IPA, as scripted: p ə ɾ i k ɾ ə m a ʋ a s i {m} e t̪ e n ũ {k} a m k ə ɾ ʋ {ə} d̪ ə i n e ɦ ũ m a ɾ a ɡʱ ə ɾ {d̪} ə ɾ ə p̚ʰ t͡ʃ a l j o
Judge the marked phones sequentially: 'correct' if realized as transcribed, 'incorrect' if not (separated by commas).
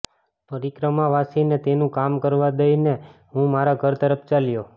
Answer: incorrect, correct, incorrect, incorrect